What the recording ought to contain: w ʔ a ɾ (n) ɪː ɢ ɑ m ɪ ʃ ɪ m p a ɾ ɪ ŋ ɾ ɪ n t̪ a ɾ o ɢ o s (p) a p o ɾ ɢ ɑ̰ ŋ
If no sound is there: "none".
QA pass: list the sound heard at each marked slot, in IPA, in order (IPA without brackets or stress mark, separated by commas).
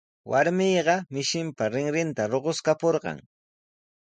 m, k